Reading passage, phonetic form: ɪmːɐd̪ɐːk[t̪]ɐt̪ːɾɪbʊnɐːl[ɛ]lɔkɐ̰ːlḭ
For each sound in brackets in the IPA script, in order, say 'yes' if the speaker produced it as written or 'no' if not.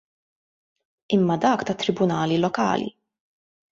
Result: yes, no

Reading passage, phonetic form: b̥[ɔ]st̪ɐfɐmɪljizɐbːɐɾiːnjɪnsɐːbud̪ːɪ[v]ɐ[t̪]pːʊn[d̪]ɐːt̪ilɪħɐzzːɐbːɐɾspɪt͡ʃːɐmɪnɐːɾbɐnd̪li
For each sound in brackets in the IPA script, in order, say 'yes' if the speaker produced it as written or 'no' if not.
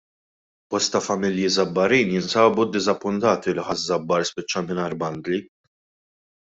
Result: yes, no, no, no

